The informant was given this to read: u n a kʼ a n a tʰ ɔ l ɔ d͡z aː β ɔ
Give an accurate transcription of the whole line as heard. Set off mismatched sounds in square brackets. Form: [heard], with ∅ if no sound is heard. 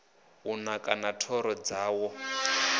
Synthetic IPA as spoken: u n a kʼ a n a tʰ ɔ [ɾ] ɔ d͡z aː [w] ɔ